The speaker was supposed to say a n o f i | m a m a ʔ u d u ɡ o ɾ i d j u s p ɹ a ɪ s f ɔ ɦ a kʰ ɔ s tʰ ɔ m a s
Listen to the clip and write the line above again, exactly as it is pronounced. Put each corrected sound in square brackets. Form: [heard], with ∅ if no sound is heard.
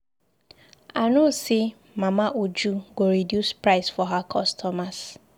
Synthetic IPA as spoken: a n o [s] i | m a m a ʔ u [d͡ʒ] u ɡ o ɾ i d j u s p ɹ a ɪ s f ɔ ɦ a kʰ ɔ s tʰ ɔ m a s